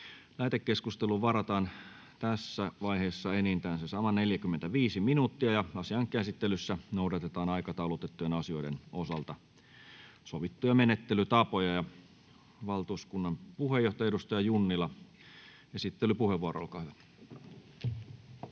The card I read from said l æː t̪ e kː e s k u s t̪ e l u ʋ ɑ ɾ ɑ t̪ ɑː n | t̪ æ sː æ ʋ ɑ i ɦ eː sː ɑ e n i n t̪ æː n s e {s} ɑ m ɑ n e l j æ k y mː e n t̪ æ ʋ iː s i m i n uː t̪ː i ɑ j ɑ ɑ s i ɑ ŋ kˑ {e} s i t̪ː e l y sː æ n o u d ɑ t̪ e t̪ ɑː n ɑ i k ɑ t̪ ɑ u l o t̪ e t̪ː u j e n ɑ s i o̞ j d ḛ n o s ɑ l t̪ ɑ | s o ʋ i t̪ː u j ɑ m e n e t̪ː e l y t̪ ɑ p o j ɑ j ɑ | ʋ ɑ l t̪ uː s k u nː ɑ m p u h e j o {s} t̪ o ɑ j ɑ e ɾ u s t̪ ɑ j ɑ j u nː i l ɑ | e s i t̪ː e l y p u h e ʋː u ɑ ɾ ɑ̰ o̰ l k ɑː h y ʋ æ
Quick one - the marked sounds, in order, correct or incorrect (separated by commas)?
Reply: correct, incorrect, incorrect